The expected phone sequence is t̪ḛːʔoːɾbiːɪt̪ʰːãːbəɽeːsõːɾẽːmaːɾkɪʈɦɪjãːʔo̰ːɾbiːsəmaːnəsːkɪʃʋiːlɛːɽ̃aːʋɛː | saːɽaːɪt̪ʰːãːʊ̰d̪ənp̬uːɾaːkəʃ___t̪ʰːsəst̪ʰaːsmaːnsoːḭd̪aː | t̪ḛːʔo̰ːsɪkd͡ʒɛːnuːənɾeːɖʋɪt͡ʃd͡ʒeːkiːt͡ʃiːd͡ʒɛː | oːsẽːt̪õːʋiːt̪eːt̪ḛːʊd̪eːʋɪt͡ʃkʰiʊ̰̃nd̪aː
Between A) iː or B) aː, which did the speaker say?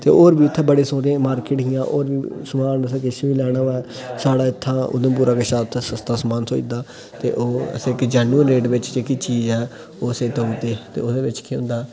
B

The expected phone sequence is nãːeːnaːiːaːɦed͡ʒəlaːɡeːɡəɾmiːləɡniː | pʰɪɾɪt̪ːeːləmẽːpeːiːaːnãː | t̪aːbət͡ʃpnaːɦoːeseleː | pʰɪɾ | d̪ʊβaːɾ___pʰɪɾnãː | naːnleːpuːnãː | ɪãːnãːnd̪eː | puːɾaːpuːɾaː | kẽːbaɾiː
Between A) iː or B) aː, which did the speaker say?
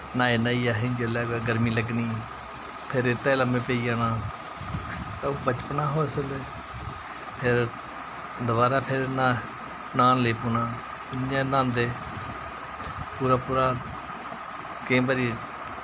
B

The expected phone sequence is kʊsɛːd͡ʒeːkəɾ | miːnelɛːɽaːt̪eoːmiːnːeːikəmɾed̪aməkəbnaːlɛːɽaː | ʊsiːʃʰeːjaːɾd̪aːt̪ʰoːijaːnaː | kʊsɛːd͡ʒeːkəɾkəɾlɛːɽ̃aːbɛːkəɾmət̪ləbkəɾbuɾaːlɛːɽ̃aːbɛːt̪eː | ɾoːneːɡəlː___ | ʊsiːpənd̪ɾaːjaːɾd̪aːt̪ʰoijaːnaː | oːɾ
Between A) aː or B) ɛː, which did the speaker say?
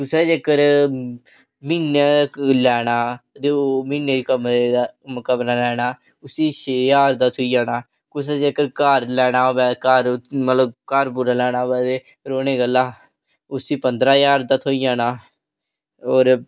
A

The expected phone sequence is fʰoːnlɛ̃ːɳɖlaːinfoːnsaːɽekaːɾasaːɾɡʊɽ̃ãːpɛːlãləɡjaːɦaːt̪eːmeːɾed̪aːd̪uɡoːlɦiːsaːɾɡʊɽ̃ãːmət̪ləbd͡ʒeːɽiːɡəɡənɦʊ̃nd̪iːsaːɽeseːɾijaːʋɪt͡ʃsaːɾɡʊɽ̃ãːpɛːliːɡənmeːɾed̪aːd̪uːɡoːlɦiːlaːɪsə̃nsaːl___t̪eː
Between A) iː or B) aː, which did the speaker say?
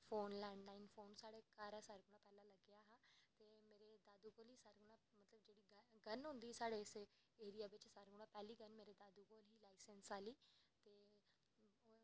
A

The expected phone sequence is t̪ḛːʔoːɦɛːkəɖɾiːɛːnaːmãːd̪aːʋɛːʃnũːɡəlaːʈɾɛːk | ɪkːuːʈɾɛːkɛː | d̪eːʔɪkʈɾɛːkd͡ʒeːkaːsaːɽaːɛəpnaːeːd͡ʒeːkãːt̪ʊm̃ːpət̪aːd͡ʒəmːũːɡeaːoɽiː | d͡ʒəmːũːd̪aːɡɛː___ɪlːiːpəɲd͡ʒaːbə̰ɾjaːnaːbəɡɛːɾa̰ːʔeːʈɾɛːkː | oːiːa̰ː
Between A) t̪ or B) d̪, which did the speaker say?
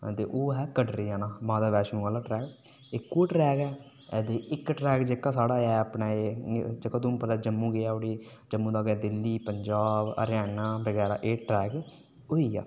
B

